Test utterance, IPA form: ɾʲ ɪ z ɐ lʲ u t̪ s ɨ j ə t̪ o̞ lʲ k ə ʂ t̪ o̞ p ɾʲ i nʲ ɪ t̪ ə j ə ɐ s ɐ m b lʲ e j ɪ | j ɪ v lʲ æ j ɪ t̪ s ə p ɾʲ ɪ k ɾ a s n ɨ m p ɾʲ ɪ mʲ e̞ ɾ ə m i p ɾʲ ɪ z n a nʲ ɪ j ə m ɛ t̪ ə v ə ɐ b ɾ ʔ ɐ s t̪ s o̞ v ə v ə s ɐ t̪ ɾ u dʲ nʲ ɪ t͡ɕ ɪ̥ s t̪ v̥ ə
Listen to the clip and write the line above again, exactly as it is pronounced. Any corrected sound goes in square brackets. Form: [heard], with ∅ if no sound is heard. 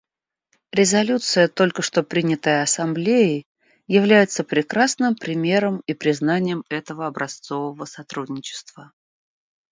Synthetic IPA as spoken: ɾʲ ɪ z ɐ lʲ u t̪ s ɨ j ə t̪ o̞ lʲ k ə ʂ t̪ o̞ p ɾʲ i nʲ ɪ t̪ ə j ə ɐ s ɐ m b lʲ e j ɪ | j ɪ v lʲ æ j ɪ t̪ s ə p ɾʲ ɪ k ɾ a s n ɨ m p ɾʲ ɪ mʲ e̞ ɾ ə m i p ɾʲ ɪ z n a nʲ ɪ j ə m ɛ t̪ ə v ə ɐ b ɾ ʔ ɐ s t̪ s o̞ v ə v ə s ɐ t̪ ɾ u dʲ nʲ ɪ t͡ɕ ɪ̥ s t̪ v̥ ə